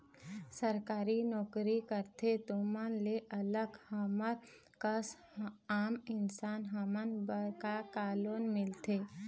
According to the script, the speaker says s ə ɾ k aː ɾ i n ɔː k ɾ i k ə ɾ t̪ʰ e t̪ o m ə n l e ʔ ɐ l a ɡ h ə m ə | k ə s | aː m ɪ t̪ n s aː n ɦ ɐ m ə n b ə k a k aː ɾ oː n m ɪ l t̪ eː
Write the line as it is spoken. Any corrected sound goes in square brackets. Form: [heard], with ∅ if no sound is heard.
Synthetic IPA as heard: s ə ɾ k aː ɾ i n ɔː k ɾ i k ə ɾ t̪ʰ e t̪ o m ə n l e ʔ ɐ l [ə] ɡ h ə m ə | k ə s | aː m ɪ [∅] n s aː n ɦ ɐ m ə n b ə k a k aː [l] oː n m ɪ l t̪ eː